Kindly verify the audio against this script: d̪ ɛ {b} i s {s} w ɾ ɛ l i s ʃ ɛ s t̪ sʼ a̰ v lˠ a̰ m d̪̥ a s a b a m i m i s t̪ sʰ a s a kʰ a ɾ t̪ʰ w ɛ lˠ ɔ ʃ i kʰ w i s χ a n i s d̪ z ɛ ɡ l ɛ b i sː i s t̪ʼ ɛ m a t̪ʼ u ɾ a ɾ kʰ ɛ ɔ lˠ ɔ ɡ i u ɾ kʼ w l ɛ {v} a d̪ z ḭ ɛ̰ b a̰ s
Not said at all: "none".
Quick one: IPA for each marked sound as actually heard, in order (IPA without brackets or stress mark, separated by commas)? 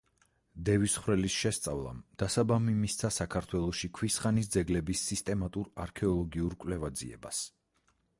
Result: v, χ, v